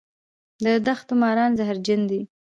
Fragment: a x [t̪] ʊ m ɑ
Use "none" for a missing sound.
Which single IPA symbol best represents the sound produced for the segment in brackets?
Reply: t̪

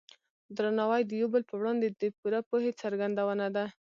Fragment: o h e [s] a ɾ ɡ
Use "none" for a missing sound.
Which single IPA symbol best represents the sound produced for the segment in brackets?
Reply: t͡s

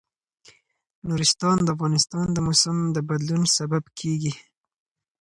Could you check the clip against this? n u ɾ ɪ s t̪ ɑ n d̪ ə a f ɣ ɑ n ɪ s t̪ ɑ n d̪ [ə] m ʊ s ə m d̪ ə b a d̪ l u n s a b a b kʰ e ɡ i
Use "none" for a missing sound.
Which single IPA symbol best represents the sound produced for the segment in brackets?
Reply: ə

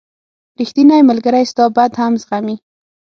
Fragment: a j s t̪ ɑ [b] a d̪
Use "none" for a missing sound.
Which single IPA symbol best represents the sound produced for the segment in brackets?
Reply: b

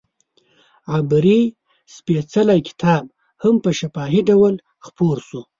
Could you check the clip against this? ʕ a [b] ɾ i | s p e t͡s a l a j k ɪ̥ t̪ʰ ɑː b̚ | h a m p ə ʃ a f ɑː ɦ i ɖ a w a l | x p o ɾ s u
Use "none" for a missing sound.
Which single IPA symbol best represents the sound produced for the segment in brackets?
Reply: b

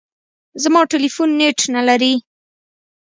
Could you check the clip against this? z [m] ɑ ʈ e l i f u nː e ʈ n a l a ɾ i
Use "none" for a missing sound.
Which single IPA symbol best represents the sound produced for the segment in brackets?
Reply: m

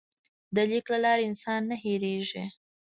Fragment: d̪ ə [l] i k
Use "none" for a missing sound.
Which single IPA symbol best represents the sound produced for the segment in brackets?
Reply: l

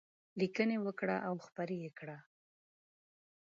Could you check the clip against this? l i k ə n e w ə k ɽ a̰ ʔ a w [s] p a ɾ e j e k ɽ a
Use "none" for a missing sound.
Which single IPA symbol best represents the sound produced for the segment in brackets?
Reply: x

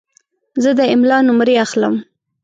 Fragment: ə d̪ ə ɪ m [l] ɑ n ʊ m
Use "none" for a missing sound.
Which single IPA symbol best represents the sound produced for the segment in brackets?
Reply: l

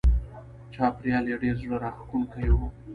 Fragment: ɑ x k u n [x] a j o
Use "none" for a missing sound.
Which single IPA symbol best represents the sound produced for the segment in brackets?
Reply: k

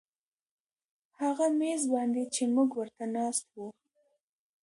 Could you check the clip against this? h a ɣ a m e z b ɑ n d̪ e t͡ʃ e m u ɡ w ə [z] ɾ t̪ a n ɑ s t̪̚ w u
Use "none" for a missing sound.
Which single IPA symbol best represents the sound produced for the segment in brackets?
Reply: none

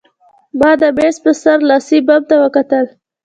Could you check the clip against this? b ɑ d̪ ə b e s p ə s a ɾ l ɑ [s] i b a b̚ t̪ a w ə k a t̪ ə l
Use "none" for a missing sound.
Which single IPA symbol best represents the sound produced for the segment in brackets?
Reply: s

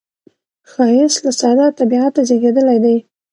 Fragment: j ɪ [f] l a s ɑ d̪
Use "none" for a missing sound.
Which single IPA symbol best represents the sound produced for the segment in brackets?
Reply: s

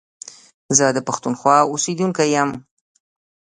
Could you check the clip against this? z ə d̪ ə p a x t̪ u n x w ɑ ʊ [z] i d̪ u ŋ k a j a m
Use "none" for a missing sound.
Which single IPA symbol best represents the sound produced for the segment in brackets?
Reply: s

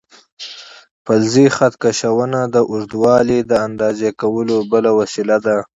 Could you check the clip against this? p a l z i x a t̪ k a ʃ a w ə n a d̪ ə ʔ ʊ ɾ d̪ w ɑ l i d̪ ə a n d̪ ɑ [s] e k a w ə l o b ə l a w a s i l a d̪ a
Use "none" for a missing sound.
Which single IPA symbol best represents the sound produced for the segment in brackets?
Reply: z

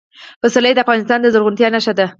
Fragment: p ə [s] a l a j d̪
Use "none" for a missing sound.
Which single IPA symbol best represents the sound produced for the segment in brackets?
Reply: s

